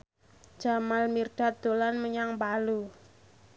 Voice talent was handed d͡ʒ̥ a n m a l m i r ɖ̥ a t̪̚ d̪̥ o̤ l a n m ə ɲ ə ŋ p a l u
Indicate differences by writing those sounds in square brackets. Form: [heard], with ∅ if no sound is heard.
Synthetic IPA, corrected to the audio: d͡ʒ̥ a [∅] m a l m i r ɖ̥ a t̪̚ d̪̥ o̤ l a n m ə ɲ [a] ŋ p a l u